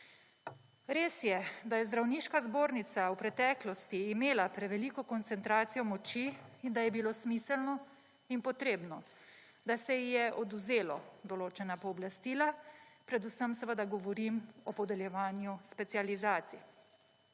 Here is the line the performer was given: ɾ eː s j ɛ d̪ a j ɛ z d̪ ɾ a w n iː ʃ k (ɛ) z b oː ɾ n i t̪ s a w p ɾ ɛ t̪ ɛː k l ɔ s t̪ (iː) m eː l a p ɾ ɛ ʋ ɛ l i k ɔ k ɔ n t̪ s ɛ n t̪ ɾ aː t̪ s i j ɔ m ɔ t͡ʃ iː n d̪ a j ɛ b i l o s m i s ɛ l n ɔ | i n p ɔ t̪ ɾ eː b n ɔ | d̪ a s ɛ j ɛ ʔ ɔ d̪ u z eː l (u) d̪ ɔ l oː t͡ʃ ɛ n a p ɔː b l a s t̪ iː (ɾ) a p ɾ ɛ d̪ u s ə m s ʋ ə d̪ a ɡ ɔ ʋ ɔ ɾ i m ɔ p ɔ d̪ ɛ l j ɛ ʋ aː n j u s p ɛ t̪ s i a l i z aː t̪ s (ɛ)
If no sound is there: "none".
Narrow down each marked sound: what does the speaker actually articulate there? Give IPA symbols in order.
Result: a, iː, ɔ, l, i

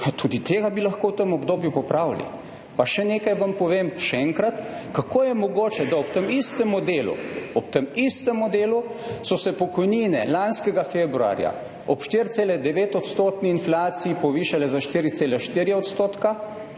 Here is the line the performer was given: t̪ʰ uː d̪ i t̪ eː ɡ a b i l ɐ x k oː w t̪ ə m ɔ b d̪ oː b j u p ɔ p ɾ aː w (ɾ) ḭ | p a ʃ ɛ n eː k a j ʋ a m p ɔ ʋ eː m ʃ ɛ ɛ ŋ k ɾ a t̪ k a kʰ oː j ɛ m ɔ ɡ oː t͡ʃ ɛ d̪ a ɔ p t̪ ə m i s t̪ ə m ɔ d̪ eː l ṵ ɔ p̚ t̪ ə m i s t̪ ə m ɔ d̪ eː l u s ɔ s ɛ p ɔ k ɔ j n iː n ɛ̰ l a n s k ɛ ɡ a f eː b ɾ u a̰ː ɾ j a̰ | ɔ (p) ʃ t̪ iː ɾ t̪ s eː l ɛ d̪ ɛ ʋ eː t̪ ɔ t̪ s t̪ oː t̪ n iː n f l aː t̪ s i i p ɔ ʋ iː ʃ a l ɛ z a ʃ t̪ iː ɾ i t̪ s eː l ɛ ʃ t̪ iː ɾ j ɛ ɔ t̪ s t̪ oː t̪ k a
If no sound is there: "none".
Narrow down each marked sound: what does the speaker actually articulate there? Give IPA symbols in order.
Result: l, p

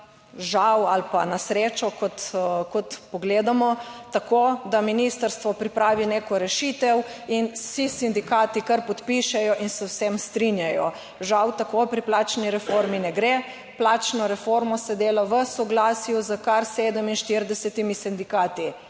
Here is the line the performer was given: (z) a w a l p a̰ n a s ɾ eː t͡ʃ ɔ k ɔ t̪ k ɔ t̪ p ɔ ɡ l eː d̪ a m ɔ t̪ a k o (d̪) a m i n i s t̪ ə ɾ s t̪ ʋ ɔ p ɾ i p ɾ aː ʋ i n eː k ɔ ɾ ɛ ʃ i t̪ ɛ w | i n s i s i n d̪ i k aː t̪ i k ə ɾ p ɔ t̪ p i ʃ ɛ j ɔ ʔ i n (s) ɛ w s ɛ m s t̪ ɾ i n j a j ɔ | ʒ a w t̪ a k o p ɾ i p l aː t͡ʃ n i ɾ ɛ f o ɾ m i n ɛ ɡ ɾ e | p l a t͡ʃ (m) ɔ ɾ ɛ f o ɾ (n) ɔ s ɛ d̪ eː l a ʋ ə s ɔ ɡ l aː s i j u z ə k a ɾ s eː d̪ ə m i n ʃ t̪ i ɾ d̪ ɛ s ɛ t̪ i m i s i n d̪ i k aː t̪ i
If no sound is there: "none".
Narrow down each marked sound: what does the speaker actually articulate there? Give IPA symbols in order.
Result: ʒ, d̪, s, n, m

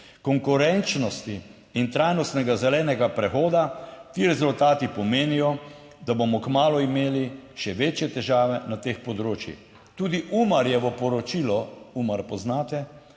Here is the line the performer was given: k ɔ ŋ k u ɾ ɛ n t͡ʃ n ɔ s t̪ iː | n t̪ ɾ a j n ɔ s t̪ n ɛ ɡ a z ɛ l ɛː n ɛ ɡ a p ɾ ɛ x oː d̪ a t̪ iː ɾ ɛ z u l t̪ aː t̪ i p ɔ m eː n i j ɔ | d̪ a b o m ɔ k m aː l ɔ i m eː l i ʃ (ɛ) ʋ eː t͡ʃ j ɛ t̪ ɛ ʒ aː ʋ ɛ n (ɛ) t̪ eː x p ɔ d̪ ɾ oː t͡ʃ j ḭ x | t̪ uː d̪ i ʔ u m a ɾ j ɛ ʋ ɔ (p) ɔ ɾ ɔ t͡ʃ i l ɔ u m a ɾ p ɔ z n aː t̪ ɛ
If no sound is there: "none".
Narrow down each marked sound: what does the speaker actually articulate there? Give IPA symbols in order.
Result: ɛ, a, p

